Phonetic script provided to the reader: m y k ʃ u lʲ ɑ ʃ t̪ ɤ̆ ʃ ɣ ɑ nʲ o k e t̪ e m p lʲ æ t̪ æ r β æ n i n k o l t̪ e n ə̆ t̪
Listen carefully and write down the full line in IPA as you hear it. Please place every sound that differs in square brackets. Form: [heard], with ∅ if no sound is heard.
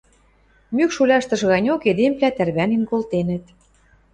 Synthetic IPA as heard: m y k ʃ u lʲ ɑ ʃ t̪ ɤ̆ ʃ ɣ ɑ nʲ o k e [d̪] e m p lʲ æ t̪ æ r β æ n i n k o l t̪ e n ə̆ t̪